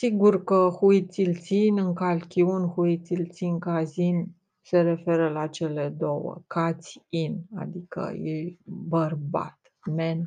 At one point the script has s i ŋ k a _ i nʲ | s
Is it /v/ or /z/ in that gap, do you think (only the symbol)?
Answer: z